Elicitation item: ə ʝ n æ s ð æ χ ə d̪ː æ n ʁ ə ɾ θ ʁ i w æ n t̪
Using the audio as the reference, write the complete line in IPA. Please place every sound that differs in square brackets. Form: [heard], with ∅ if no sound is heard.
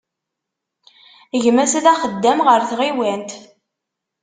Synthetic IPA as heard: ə ʝ [m] æ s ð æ χ ə d̪ː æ [m] ʁ ə ɾ θ ʁ i w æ n t̪